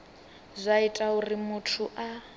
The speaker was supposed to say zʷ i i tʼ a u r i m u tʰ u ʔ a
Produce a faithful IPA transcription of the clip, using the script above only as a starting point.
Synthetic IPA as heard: zʷ a i tʼ a u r i m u tʰ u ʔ a